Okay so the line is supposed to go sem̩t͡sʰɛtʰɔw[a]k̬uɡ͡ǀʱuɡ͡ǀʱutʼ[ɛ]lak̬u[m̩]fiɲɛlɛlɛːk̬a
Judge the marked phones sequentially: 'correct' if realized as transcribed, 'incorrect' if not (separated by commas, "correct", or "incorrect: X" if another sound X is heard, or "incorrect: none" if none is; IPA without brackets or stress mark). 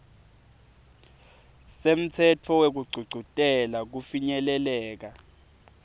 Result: incorrect: e, correct, incorrect: none